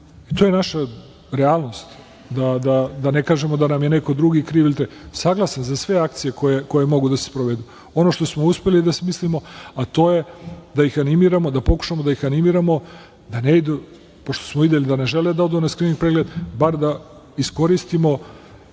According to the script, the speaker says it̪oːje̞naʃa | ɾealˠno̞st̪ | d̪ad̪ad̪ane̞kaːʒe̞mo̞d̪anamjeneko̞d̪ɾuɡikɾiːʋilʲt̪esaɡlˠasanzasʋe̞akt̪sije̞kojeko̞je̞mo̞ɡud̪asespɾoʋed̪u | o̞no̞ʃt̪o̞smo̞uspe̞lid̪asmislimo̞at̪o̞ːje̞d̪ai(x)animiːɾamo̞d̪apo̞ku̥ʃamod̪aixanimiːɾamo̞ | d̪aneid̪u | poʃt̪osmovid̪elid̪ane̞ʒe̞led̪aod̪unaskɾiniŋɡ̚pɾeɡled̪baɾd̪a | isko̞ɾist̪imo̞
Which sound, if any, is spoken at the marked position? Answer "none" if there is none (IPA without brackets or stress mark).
x